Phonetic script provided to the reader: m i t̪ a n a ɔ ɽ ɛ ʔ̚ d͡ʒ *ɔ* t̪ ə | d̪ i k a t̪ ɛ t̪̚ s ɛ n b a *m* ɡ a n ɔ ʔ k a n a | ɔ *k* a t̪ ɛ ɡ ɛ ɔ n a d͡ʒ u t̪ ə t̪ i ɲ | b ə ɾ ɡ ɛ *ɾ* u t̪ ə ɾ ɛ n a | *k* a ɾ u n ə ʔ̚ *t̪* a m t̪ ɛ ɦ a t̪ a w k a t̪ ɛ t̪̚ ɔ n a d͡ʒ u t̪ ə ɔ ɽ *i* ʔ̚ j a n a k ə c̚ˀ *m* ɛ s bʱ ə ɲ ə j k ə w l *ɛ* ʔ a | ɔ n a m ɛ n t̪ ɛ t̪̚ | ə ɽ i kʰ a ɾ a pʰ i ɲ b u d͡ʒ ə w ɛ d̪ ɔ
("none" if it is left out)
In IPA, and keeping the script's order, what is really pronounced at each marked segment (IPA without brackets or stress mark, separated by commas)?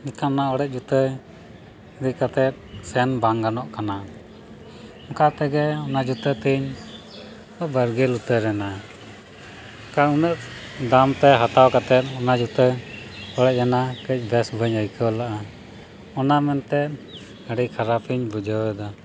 u, ŋ, k, l, k, d̪, ɛ, b, a